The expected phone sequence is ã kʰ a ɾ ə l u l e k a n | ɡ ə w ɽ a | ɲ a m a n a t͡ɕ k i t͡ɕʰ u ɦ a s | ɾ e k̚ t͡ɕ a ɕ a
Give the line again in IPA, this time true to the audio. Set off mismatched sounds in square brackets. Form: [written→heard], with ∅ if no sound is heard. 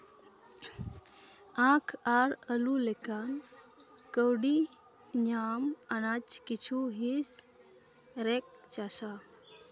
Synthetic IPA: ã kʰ a ɾ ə l u l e k a n | [ɡ→k] ə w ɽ [a→i] | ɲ a m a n a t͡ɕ k i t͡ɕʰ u ɦ [a→i] s | ɾ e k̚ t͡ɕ a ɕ a